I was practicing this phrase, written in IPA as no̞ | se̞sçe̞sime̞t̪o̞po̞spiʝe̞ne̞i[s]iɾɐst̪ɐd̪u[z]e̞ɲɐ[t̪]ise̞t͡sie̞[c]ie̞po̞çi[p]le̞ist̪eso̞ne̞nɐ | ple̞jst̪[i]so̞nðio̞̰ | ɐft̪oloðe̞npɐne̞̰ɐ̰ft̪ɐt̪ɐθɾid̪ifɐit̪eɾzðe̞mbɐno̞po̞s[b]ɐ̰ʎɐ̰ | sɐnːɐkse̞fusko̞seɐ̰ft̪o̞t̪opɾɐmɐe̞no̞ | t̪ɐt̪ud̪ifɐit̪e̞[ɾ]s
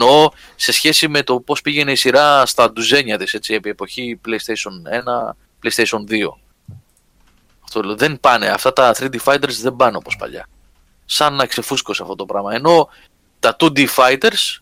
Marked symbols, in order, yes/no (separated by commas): yes, yes, yes, no, yes, no, no, yes